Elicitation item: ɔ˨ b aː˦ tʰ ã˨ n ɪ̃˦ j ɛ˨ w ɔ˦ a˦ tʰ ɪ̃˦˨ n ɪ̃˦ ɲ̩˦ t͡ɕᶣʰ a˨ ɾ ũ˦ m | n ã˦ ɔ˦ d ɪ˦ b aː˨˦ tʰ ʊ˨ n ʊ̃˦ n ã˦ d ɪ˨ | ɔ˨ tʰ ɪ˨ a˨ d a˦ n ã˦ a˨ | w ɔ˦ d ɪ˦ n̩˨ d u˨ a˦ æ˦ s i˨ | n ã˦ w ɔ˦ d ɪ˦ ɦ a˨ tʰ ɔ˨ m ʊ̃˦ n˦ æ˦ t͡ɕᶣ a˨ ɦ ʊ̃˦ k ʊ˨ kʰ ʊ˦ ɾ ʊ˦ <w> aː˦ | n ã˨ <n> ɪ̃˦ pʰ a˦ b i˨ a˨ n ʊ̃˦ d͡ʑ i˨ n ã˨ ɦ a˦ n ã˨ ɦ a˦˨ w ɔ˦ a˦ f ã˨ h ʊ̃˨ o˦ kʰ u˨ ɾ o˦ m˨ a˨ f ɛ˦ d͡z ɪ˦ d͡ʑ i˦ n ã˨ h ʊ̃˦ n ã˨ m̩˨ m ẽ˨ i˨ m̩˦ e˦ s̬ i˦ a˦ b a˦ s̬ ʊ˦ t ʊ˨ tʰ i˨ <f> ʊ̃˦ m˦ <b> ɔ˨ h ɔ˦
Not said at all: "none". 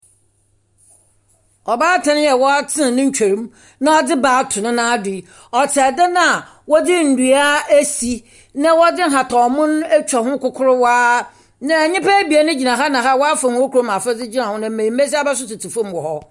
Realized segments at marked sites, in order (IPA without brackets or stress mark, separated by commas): w, ɲ, f, w